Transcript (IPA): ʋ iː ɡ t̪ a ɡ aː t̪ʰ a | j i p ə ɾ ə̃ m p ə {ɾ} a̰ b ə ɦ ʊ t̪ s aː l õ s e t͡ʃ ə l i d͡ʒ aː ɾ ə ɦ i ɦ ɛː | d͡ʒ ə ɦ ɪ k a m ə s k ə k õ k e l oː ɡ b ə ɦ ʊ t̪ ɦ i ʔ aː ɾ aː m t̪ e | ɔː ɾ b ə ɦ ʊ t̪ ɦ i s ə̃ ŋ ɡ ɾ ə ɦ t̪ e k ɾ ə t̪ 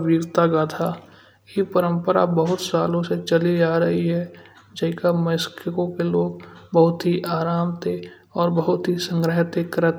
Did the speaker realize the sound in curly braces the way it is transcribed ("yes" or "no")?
yes